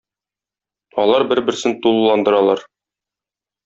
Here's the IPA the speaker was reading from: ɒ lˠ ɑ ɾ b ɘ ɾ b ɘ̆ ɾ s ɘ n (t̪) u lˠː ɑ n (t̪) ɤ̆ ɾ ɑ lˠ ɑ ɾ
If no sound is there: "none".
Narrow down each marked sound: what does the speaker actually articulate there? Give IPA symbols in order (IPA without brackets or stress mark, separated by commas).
t̪, d̪